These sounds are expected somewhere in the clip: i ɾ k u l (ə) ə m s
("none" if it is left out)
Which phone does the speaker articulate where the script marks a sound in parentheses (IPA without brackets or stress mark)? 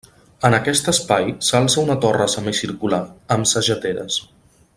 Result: a